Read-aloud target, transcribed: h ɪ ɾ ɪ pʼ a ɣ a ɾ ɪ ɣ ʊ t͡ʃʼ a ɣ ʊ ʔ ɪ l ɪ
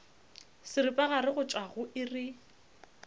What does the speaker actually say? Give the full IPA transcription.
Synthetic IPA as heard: s ɪ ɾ ɪ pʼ a ɣ a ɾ ɪ ɣ ʊ t͡ʃʼ a ɣ ʊ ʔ ɪ r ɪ